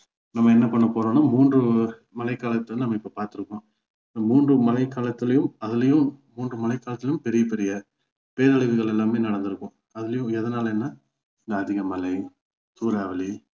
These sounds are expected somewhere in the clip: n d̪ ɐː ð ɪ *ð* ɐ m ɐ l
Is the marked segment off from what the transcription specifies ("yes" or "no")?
yes